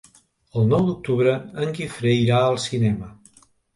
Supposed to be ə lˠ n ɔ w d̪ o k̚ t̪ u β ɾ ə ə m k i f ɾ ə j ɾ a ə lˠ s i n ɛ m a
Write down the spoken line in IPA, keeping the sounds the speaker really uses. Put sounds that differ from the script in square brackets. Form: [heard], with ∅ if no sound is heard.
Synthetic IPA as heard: ə lˠ n ɔ w d̪ [u] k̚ t̪ u β ɾ ə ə [ŋ] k i f ɾ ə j ɾ a ə lˠ s i n ɛ m [ə]